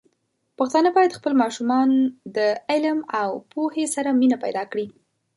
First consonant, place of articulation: labial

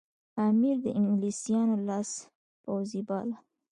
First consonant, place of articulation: labial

